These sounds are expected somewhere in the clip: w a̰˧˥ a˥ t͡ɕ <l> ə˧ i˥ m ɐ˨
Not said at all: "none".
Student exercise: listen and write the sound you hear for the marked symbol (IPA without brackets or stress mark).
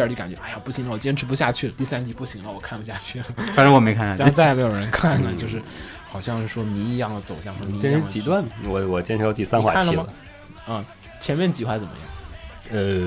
l